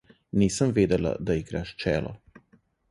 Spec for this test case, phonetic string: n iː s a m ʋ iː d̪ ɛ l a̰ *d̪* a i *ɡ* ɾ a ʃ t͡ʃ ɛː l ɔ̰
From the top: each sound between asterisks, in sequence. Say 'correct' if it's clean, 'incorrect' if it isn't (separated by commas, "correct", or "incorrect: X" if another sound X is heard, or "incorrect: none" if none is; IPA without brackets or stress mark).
correct, correct